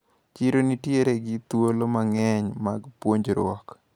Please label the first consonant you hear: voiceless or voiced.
voiceless